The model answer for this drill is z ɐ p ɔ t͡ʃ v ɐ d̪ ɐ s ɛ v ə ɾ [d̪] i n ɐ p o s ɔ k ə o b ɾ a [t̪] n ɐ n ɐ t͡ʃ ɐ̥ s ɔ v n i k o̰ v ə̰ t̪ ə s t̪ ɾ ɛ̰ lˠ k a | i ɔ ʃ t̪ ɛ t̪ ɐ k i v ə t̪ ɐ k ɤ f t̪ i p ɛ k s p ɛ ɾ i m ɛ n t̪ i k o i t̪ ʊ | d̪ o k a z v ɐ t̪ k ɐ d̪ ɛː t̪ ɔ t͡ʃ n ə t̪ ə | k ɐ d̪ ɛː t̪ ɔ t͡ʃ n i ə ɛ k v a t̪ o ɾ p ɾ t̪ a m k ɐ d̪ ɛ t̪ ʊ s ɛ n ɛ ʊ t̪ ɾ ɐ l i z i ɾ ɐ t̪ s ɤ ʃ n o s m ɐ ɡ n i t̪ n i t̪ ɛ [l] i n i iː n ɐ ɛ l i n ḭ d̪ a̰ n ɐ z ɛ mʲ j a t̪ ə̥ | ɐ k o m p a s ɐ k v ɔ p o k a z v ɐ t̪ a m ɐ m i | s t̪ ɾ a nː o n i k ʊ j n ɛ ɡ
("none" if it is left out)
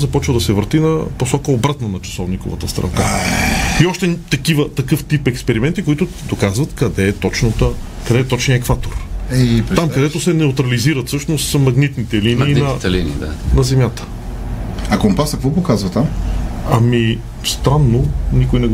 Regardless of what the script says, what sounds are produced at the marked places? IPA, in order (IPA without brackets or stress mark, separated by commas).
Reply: t̪, t̪, l